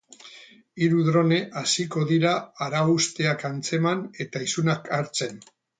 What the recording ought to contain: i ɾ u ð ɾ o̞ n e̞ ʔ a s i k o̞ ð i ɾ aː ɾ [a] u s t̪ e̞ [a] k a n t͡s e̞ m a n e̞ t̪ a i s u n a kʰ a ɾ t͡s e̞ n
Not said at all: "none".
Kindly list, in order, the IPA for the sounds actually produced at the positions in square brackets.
a, a

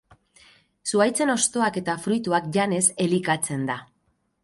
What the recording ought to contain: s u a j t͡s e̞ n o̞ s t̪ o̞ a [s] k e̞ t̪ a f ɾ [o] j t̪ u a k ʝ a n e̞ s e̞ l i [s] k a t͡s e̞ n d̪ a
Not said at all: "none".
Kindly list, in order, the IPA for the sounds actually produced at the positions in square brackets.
none, u, none

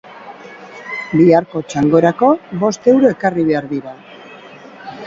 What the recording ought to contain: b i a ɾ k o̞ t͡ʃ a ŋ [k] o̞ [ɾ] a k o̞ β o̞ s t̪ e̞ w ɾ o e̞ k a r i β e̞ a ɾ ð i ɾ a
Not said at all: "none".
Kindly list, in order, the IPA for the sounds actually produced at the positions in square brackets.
ɡ, ɾ

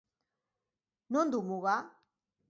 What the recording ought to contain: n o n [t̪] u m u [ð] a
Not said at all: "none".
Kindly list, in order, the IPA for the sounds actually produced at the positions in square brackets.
d̪, ɣ

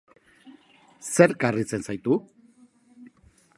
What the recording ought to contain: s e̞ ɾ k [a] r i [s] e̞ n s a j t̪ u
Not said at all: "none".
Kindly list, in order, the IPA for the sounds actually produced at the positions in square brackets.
a, t͡s

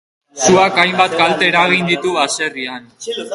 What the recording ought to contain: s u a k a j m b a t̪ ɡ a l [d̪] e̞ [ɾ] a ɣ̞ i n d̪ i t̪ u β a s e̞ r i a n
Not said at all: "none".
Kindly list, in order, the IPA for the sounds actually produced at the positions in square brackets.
t̪, ɾ

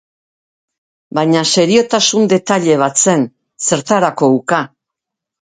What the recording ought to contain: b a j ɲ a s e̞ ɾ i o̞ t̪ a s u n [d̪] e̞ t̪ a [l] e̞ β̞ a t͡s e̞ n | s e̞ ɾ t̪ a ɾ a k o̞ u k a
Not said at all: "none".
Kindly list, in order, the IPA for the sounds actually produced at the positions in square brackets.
d̪, ʎ

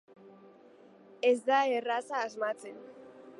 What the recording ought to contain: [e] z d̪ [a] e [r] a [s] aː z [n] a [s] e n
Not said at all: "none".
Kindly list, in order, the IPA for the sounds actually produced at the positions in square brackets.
e, a, r, s, m, t͡s

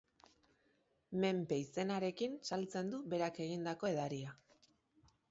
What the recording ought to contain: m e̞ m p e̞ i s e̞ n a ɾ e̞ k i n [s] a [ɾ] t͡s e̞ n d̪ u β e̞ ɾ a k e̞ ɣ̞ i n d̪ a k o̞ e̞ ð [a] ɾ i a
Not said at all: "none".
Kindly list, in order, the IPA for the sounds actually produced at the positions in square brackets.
s, l, a

